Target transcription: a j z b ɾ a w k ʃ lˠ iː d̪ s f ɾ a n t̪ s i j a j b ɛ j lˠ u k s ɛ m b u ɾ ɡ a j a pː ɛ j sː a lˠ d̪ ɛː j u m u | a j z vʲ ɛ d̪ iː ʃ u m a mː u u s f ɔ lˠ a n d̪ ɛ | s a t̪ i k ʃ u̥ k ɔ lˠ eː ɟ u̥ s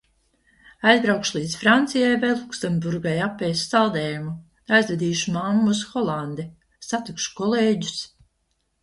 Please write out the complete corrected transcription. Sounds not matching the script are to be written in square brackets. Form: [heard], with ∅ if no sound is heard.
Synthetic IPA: a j z b ɾ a w k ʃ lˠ iː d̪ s f ɾ a n t̪ s i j a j [v] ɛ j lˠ u k s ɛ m b u ɾ ɡ a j a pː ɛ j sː a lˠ d̪ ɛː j u m u | a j z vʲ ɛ d̪ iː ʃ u m a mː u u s [x] ɔ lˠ a n d̪ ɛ | s a t̪ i k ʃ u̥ k ɔ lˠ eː ɟ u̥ s